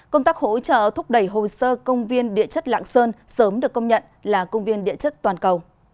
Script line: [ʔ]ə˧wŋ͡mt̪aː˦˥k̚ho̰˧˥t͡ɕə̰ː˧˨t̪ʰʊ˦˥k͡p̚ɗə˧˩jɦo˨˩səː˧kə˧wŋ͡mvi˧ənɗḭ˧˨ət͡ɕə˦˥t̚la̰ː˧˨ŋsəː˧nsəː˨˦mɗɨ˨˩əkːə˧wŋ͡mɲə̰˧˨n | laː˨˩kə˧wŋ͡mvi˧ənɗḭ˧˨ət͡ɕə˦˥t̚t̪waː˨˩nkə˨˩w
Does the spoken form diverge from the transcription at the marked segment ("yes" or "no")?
yes